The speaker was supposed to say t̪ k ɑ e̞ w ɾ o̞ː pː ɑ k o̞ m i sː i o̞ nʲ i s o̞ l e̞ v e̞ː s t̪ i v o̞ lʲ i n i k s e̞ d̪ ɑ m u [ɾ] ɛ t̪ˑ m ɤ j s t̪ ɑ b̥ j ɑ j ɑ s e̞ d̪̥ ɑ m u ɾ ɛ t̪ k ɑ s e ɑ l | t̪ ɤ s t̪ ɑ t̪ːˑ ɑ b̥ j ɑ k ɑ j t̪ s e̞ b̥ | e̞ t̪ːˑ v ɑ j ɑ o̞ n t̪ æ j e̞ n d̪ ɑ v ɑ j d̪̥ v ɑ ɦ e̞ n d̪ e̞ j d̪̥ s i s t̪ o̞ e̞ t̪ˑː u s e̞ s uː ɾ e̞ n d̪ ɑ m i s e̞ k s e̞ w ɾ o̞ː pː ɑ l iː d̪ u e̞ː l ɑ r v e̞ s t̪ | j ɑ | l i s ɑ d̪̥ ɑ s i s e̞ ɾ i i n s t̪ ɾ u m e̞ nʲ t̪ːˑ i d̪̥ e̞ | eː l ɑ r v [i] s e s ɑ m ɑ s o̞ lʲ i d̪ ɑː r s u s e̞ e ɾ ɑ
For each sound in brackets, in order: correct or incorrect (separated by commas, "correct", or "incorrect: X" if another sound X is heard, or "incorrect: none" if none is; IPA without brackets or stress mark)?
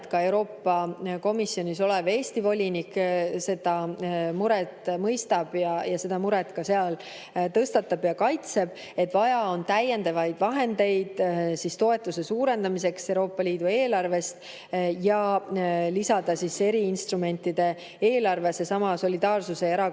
correct, incorrect: e